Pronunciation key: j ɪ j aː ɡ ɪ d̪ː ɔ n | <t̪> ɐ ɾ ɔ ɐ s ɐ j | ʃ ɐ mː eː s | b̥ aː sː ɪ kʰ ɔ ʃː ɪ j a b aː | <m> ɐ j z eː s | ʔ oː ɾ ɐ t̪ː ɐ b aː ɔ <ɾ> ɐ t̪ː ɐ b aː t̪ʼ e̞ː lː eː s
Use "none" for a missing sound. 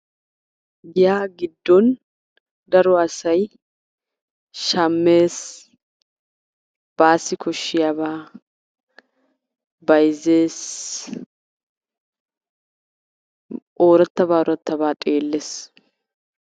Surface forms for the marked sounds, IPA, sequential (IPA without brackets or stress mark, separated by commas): d̪, b, ɾ